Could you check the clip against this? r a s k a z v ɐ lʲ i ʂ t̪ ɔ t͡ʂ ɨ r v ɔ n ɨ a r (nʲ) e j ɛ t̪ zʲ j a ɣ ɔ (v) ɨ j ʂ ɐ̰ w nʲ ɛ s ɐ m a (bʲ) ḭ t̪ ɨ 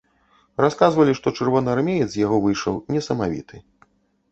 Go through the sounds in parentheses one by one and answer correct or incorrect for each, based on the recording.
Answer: incorrect: mʲ, correct, incorrect: vʲ

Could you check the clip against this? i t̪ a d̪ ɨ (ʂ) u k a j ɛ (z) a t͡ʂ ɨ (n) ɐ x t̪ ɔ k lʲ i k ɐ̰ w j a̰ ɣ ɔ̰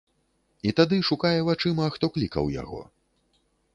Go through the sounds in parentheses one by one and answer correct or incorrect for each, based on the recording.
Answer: correct, incorrect: v, incorrect: m

